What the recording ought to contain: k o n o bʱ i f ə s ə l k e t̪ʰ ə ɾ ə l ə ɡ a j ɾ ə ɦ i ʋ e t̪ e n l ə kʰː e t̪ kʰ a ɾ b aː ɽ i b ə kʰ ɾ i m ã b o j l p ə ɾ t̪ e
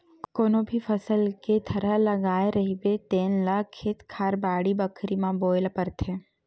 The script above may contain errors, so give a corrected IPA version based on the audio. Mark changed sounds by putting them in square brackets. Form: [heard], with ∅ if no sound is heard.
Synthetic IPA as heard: k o n o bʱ i f ə s ə l k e t̪ʰ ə ɾ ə l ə ɡ a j ɾ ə ɦ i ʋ e t̪ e n l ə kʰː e t̪ kʰ a ɾ b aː ɽ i b ə kʰ ɾ i m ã b o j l p ə ɾ [t̪ʰ] e